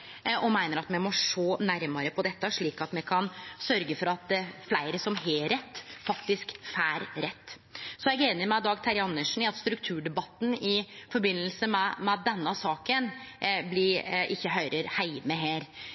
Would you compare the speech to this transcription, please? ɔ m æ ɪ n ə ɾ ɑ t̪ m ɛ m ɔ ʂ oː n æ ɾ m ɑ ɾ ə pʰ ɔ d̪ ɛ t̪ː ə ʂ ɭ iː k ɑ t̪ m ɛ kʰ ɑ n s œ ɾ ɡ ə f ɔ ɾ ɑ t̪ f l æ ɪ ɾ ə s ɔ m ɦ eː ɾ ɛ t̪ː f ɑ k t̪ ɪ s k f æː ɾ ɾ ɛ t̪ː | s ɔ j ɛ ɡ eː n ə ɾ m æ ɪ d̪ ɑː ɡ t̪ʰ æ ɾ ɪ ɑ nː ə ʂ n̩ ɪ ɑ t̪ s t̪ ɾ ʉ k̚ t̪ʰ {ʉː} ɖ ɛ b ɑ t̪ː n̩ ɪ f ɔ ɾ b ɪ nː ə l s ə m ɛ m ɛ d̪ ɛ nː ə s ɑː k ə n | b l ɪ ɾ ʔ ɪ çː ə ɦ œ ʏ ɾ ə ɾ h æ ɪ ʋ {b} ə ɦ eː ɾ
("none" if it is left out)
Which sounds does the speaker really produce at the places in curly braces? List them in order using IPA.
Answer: ʉː, m

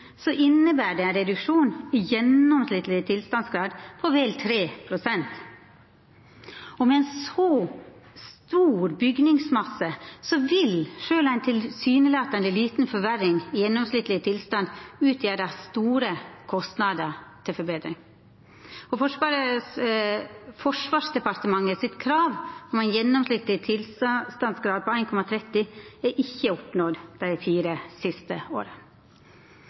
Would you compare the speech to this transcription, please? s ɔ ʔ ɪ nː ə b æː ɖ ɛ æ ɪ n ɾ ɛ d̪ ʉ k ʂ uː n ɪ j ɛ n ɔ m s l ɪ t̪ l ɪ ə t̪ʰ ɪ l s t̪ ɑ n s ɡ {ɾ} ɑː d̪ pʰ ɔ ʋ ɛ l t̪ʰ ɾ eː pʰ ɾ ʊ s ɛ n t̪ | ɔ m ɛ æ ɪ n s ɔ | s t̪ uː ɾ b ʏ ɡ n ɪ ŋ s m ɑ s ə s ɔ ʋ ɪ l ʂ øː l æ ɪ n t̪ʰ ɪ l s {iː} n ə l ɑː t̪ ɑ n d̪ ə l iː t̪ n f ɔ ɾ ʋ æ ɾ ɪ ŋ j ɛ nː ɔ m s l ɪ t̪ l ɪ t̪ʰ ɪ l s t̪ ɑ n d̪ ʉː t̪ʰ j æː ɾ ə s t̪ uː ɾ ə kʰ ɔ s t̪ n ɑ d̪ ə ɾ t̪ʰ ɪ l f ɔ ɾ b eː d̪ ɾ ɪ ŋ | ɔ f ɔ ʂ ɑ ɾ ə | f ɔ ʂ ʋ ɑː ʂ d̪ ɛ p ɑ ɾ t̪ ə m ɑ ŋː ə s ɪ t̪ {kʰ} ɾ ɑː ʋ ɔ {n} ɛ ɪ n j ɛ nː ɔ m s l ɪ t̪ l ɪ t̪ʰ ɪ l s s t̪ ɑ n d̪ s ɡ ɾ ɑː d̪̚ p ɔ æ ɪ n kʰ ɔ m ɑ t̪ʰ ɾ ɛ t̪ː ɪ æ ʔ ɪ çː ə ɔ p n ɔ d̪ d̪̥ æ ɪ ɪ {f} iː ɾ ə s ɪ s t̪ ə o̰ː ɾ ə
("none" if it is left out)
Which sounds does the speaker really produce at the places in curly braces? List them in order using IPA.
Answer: ɾ, yː, kʰ, m, f

